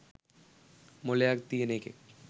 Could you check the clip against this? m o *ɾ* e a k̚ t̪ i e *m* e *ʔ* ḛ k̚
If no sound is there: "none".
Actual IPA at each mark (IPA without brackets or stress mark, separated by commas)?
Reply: l, n, k